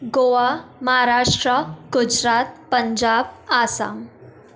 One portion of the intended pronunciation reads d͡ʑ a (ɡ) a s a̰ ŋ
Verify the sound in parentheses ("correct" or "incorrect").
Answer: incorrect